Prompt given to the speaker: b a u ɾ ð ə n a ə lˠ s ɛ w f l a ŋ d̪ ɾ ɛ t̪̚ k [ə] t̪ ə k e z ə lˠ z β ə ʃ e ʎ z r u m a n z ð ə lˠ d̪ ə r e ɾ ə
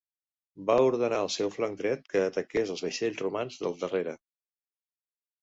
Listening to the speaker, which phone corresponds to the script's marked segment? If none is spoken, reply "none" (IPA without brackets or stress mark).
əː